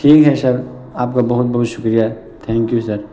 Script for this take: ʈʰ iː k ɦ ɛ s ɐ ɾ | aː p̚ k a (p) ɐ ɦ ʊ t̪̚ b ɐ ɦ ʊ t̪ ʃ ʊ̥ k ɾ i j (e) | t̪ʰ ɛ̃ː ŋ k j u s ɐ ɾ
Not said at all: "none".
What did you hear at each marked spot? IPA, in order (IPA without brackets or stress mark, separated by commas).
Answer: b, a